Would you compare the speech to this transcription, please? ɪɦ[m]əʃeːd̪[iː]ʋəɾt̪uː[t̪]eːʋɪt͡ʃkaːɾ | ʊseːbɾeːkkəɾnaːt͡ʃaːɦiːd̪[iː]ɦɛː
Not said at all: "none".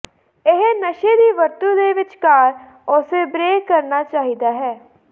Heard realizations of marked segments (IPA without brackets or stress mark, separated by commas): n, iː, d̪, aː